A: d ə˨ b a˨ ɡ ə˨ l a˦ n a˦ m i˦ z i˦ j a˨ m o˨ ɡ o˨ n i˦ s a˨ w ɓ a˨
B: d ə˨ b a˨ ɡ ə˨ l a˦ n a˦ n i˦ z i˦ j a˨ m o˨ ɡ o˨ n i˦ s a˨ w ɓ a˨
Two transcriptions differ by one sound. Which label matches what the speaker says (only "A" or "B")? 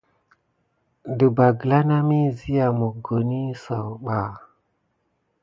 A